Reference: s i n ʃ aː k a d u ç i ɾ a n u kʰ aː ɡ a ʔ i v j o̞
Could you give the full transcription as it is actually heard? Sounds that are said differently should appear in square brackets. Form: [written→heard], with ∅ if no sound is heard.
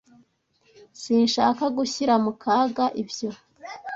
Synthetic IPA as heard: s i n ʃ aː k a [d→ɡ] u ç i ɾ a [n→m] u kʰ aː ɡ a ʔ i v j o̞